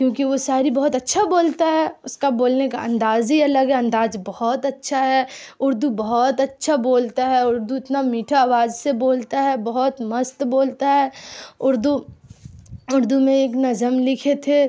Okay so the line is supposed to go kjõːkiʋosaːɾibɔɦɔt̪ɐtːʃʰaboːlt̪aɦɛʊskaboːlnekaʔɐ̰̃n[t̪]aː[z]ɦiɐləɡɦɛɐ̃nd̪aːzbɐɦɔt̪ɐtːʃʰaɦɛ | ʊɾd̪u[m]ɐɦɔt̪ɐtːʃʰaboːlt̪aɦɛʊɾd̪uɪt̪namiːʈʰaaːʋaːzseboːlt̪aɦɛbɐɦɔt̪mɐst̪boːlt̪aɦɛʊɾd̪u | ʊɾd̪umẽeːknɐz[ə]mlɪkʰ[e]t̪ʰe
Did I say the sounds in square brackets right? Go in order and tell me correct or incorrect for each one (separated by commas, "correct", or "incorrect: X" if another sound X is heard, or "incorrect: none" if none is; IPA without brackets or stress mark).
incorrect: d̪, correct, incorrect: b, correct, correct